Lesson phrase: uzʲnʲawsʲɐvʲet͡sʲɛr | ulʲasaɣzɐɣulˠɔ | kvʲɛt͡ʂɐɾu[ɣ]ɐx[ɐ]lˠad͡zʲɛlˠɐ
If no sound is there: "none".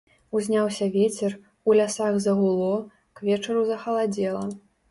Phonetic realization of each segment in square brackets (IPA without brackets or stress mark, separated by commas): z, ɐ